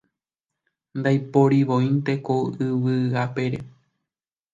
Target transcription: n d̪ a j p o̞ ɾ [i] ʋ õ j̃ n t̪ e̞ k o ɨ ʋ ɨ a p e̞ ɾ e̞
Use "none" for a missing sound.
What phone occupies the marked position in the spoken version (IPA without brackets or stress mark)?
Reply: i